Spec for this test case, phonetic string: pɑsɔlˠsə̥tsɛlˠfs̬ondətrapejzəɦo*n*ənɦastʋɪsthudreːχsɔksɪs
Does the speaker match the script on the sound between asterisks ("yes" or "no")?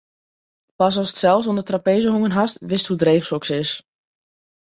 no